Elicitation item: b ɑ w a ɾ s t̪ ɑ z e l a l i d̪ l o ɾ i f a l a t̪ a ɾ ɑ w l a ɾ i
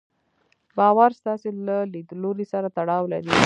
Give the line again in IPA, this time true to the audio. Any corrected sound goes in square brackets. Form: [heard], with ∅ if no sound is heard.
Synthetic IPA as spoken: b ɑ w a ɾ s t̪ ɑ [s] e l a l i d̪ l o ɾ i [s] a [ɾ] a t̪ a [ɽ] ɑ w l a ɾ i